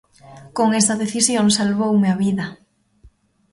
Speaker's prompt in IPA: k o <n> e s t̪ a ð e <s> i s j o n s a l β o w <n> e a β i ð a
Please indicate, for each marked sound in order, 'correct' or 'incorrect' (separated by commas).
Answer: incorrect, incorrect, incorrect